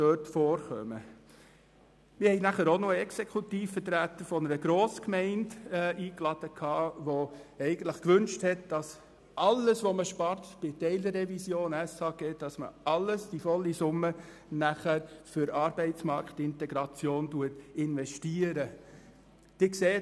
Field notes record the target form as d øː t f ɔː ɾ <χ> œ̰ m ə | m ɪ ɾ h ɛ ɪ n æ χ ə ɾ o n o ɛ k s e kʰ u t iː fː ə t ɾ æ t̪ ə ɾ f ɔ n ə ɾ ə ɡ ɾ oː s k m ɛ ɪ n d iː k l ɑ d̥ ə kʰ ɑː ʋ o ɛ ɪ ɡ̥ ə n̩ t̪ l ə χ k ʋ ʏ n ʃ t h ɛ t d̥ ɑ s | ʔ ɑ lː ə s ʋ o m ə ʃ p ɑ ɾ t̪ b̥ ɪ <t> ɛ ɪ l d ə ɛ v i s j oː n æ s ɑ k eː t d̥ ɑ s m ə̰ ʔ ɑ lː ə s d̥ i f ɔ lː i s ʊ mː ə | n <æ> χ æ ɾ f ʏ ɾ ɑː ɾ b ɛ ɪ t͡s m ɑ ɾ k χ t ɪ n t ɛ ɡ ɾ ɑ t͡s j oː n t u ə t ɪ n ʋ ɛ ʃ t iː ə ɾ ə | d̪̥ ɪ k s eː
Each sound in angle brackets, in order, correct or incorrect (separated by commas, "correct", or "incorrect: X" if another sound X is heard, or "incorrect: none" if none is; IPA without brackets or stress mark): correct, correct, correct